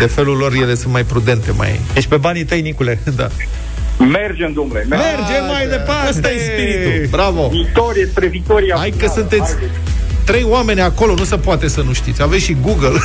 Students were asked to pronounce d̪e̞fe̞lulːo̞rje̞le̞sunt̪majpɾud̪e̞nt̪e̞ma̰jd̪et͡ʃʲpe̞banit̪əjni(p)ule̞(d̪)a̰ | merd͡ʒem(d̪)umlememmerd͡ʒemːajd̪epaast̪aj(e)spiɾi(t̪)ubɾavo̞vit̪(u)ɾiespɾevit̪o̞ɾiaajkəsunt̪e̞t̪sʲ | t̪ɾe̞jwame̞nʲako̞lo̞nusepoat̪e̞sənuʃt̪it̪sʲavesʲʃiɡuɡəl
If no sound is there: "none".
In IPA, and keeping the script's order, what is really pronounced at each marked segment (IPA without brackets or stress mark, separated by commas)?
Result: k, d̪, d̪, e, t̪, o